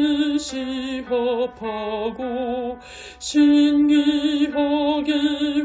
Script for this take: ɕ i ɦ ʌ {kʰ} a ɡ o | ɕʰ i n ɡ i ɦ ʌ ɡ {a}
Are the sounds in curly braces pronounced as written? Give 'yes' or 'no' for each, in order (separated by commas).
no, no